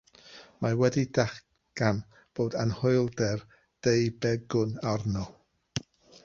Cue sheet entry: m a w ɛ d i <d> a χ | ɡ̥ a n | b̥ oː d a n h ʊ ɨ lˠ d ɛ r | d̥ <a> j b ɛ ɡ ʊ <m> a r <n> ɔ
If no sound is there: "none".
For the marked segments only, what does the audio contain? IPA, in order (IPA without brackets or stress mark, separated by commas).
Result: d, e, n, n